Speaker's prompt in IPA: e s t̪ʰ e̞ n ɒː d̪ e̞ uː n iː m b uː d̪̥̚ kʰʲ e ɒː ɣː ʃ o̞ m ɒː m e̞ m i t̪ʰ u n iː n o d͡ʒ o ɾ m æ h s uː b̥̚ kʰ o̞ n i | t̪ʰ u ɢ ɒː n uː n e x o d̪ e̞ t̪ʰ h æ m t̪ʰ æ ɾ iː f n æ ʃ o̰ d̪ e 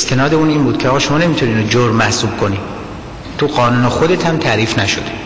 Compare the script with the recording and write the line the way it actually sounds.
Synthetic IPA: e s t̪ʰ e̞ n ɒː d̪ e̞ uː n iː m b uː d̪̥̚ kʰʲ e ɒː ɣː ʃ o̞ m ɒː n e̞ m i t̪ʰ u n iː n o d͡ʒ o ɾ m æ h s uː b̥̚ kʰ o̞ n i | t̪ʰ u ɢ ɒː n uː n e x o d̪ e̞ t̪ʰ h æ m t̪ʰ æ ɾ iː f n æ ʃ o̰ d̪ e

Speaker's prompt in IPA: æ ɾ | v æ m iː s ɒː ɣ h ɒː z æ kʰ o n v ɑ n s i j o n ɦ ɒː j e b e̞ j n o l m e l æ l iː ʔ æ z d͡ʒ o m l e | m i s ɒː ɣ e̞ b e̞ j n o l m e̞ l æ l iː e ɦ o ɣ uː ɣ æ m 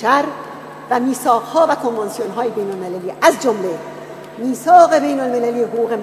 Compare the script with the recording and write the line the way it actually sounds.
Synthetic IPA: æ ɾ | v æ m iː s ɒː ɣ h ɒː v æ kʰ o n v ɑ n s i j o n ɦ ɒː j e b e̞ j n o l m e l æ l iː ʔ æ z d͡ʒ o m l e | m iː s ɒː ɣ e̞ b e̞ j n o l m e̞ l æ l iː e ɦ o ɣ uː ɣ e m

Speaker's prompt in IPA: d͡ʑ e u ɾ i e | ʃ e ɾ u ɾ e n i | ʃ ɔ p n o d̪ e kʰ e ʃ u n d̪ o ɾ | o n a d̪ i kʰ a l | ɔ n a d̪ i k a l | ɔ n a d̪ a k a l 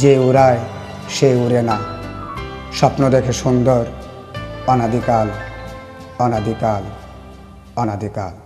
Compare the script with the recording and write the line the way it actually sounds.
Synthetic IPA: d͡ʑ e u ɾ a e | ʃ e u ɾ e n a | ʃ ɔ p n o d̪ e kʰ e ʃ u n d̪ o ɾ | ɔ n a d̪ i k a l | ɔ n a d̪ i k a l | ɔ n a d̪ i k a l

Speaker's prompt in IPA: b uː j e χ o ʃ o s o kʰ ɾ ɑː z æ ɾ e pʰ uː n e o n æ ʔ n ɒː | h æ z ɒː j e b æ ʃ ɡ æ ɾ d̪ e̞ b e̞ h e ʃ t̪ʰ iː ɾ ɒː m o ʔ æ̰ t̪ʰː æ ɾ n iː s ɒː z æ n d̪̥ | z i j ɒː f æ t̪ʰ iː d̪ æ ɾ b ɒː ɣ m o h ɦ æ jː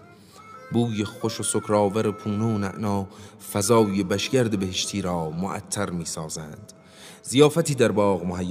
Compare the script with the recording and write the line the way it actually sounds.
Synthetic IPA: b uː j e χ o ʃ o s o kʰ ɾ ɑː v æ ɾ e pʰ uː n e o n æ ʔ n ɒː | f æ z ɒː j e b æ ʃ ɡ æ ɾ d̪ e̞ b e̞ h e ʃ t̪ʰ iː ɾ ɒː m o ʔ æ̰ t̪ʰː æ ɾ m iː s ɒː z æ n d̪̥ | z i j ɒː f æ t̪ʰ iː d̪ æ ɾ b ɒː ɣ m o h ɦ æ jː

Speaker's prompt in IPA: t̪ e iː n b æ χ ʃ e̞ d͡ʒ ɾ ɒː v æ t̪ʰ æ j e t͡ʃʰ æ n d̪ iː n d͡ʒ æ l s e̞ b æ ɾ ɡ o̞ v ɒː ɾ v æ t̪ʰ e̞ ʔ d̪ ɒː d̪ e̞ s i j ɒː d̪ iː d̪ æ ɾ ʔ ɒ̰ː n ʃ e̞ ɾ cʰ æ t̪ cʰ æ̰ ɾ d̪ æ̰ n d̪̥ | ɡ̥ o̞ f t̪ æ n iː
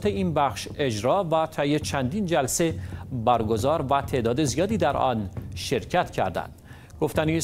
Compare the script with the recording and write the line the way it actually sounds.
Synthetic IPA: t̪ e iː n b æ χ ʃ e̞ d͡ʒ ɾ ɒː v æ t̪ʰ æ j e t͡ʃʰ æ n d̪ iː n d͡ʒ æ l s e̞ b æ ɾ ɡ o̞ z ɒː ɾ v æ t̪ʰ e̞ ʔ d̪ ɒː d̪ e̞ z i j ɒː d̪ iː d̪ æ ɾ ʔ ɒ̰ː n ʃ e̞ ɾ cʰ æ t̪ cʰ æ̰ ɾ d̪ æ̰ n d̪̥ | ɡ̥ o̞ f t̪ æ n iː

